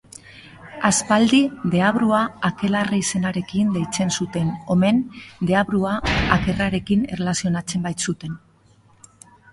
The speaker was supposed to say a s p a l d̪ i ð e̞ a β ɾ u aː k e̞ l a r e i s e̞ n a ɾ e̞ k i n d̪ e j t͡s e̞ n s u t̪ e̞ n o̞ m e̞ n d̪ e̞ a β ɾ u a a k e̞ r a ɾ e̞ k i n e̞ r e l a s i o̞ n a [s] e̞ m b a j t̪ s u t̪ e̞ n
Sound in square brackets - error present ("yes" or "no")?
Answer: yes